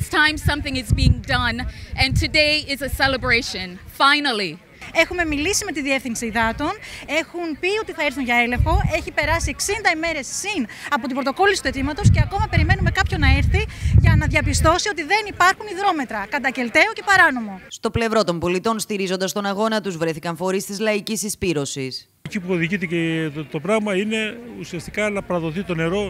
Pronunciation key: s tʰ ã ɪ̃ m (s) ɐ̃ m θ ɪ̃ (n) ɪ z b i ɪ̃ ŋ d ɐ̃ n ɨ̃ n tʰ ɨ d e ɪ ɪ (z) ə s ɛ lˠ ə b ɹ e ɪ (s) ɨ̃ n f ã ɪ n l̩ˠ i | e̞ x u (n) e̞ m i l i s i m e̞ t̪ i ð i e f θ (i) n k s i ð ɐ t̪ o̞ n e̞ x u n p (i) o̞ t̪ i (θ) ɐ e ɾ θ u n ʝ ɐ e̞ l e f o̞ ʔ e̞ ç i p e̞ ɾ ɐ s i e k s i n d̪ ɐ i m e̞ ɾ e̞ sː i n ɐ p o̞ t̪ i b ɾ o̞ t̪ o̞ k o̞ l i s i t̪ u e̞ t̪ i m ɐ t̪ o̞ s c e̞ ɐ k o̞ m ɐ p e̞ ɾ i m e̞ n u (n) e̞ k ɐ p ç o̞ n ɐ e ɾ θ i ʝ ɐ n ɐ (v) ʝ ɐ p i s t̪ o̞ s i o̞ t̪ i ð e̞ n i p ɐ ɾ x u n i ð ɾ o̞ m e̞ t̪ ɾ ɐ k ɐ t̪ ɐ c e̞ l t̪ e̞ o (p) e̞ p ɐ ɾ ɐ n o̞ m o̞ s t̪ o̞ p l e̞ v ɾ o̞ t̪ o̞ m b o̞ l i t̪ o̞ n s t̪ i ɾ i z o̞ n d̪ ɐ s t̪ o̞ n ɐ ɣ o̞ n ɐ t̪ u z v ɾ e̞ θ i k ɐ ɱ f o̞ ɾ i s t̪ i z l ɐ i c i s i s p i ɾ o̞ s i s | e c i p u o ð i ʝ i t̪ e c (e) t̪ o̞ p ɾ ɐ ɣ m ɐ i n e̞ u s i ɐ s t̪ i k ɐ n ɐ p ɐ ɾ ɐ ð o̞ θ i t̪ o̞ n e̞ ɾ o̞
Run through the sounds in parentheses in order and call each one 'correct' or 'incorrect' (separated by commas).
correct, incorrect, correct, incorrect, incorrect, correct, correct, correct, incorrect, incorrect, incorrect, correct